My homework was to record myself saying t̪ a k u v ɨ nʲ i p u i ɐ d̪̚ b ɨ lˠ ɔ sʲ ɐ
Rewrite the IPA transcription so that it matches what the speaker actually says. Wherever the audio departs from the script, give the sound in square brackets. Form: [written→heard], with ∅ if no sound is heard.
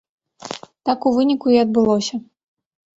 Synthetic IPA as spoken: t̪ a k u v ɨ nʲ i [p→k] u i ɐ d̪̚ b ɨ lˠ ɔ sʲ ɐ